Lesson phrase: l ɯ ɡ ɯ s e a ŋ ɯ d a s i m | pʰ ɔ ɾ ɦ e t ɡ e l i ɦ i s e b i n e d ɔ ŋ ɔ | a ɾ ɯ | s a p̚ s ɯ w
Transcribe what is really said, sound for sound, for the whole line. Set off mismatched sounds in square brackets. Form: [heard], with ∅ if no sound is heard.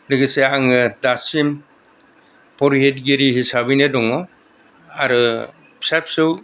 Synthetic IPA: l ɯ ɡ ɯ s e a ŋ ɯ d a s i m | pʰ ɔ ɾ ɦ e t ɡ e [ɾ] i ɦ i s [a] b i n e d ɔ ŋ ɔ | a ɾ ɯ | s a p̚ s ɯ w